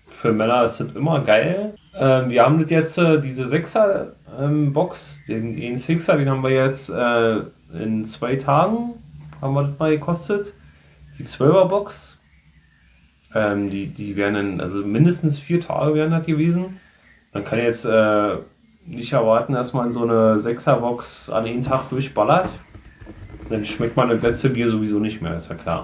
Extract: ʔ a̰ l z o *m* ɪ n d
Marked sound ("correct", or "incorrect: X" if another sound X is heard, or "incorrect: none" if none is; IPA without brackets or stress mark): correct